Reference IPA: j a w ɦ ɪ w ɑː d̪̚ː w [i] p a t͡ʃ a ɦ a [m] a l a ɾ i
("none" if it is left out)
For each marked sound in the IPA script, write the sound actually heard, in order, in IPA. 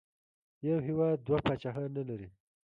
a, n

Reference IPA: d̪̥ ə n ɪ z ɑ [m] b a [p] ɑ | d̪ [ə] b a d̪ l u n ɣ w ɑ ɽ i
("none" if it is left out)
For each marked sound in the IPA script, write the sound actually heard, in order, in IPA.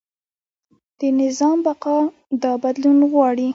m, q, ɑ

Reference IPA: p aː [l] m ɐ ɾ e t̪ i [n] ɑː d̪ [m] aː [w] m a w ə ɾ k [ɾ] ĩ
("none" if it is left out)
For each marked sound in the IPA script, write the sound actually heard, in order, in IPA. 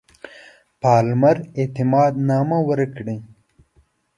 l, m, n, none, ɽ

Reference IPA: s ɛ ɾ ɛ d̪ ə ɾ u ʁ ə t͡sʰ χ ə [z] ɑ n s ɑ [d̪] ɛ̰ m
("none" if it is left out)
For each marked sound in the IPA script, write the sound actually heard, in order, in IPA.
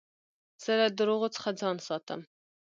d͡z, t̪

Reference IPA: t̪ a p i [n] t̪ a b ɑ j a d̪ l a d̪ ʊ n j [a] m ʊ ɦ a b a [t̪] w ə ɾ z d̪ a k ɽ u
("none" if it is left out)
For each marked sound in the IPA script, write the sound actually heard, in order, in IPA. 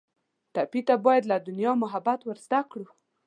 none, ɑ, t̪

